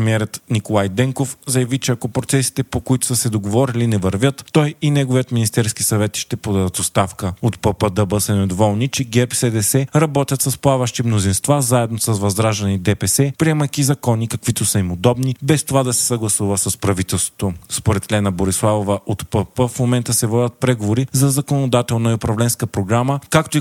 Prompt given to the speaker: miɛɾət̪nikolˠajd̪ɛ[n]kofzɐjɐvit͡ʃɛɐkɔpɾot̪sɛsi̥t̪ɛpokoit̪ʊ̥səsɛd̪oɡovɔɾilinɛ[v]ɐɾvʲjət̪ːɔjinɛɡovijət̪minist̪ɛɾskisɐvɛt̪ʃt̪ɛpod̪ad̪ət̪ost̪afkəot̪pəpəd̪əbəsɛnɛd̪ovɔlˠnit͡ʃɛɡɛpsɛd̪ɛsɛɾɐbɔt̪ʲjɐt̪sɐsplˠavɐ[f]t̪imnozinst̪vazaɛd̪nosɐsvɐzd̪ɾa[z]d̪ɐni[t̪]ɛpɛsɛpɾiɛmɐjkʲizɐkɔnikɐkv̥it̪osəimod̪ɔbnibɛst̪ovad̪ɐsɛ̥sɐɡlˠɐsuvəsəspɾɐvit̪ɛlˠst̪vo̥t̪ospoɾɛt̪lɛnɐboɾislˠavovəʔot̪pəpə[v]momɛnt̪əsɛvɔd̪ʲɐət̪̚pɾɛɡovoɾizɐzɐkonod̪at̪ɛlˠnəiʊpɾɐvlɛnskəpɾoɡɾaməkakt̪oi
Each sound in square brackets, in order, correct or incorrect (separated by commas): incorrect, correct, incorrect, incorrect, incorrect, incorrect